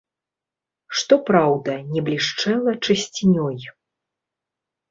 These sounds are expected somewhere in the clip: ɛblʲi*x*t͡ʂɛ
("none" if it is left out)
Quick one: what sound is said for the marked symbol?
ʂ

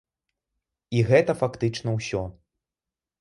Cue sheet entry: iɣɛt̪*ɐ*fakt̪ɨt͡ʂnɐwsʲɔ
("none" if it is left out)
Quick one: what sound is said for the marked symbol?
ɐ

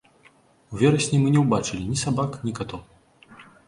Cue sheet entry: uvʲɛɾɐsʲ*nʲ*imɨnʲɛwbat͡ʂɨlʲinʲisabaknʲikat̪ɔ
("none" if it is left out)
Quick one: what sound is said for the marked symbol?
nʲ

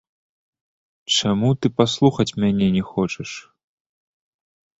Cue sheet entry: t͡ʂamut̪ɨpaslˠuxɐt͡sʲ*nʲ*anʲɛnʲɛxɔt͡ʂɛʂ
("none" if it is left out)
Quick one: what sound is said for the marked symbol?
mʲ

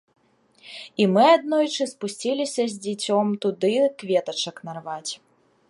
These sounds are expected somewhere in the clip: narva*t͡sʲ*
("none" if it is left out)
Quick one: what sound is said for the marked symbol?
t͡sʲ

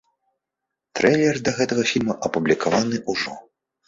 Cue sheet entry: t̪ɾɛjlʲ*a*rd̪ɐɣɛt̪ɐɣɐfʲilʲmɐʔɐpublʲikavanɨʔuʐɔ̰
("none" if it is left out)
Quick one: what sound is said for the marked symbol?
ɛ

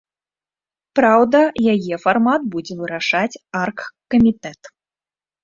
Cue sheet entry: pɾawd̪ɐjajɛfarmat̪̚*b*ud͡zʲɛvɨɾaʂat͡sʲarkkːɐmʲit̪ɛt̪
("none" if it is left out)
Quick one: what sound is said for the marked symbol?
b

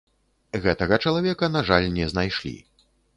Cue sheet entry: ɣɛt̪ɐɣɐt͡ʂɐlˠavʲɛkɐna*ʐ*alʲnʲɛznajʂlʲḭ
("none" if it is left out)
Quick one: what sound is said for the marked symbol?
ʐ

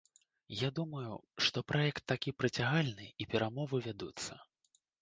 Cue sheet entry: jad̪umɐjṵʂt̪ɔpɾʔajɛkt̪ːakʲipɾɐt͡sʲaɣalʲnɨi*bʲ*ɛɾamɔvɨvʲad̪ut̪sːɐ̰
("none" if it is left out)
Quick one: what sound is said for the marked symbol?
pʲ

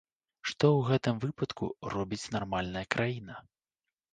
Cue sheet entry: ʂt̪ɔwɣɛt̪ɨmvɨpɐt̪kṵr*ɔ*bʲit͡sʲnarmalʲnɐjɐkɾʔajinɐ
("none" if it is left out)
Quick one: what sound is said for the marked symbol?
ɔ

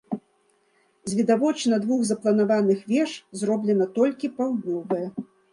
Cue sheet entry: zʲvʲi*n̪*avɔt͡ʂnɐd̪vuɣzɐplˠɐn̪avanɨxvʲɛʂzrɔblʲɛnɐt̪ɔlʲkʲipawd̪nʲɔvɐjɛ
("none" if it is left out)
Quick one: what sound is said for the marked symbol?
d̪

